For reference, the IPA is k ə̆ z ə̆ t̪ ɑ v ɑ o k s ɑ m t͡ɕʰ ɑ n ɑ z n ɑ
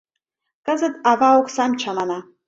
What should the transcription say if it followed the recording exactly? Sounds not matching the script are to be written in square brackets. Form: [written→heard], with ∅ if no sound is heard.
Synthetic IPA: k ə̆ z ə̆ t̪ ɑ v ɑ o k s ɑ m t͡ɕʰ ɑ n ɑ [z→∅] n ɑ